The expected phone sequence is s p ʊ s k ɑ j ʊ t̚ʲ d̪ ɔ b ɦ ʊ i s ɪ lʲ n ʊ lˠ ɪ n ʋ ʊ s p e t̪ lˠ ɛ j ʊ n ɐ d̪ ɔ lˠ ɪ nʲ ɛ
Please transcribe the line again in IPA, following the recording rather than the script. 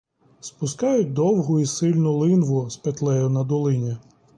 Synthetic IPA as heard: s p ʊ s k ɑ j ʊ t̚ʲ d̪ ɔ w ɦ ʊ i s ɪ lʲ n ʊ lˠ ɪ n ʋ ʊ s p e t̪ lˠ ɛ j ʊ n ɐ d̪ ɔ lˠ ɪ nʲ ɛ